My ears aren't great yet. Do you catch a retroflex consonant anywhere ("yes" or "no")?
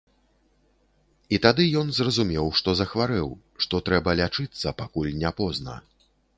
yes